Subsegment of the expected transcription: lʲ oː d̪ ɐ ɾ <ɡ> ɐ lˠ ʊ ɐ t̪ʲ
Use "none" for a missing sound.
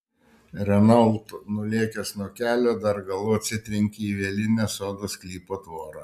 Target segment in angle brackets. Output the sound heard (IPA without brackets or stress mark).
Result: ɡ